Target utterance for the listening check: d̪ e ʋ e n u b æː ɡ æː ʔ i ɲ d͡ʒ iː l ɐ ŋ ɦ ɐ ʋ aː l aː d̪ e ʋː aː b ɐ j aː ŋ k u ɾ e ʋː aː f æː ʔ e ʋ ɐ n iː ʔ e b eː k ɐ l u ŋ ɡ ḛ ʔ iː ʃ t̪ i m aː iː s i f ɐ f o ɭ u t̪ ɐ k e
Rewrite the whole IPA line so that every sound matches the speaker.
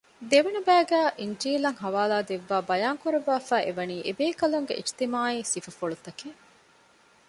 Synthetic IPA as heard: d̪ e ʋ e n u b æː ɡ æː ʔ i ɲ d͡ʒ iː l ɐ ŋ ɦ ɐ ʋ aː l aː d̪ e ʋː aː b ɐ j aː ŋ k u ɾ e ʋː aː f æː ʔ e ʋ ɐ n iː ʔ e b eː k ɐ l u ŋ ɡ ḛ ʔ i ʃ t̪ i m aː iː s i f ɐ f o ɭ u t̪ ɐ k e